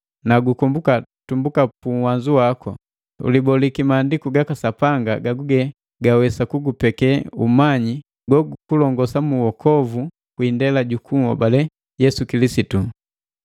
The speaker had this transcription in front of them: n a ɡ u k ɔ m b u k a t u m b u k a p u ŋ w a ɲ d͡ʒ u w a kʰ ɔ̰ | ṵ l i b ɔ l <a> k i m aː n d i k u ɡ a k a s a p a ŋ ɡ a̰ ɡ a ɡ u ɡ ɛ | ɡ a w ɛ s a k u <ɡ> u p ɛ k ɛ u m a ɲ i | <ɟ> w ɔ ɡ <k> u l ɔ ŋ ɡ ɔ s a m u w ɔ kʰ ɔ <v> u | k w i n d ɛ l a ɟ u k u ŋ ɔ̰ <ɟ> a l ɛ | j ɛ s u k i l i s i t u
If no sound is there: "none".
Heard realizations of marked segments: i, ɡ, ɡ, k, v, b

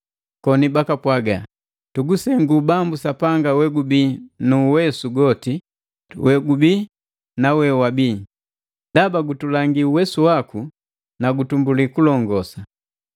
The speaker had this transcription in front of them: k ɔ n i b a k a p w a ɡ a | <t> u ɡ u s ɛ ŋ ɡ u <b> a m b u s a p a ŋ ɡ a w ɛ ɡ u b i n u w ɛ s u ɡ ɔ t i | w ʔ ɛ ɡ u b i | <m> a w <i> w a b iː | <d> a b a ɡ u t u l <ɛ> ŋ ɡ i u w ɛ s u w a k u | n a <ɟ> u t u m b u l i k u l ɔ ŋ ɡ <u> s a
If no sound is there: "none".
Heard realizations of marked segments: t, b, n, ɛ, d, a, ɡ, ɔ

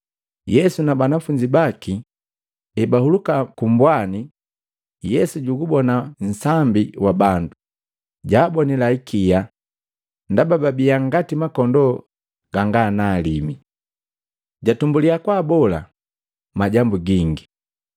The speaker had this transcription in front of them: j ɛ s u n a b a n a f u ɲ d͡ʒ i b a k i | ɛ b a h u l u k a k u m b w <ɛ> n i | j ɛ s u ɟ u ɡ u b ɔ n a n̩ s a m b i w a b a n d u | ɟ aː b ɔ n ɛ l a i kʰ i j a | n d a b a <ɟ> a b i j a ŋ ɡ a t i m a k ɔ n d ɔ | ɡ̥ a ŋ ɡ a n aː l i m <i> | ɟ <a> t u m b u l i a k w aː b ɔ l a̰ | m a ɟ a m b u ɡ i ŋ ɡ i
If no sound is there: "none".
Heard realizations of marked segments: a, b, i, a

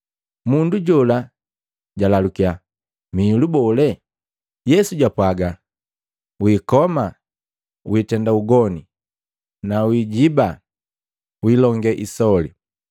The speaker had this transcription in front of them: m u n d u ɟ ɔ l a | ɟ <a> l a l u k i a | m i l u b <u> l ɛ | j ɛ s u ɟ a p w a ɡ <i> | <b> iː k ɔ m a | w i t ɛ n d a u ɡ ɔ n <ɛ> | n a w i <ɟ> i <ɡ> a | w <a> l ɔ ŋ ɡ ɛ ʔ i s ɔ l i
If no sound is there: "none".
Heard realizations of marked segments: a, ɔ, a, w, i, ɟ, b, i

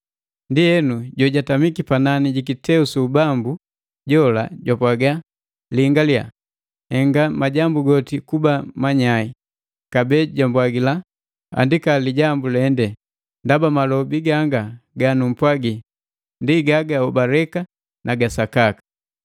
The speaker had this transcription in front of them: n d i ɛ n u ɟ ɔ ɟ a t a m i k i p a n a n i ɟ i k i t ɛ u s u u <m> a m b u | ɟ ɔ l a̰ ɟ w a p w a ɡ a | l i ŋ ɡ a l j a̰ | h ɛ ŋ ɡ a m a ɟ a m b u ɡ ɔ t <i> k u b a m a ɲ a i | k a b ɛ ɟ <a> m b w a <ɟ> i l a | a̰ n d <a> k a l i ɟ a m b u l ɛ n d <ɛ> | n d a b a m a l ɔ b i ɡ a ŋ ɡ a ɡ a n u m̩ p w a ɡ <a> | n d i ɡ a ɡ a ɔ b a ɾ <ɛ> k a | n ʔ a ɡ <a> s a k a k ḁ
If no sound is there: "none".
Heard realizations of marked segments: b, i, a, ɡ, i, ɛ, i, ɛ, a

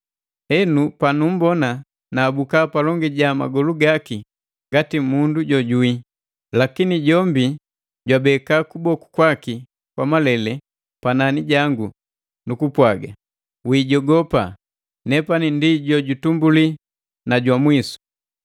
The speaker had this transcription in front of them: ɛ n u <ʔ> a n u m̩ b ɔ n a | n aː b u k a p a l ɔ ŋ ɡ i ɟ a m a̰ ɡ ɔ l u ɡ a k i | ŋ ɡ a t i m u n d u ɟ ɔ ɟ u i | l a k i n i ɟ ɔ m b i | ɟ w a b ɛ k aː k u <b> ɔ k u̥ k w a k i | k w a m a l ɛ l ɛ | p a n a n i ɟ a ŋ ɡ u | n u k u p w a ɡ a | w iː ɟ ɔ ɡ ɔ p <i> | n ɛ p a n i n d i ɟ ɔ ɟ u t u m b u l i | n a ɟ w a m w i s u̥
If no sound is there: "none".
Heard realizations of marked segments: p, b, a

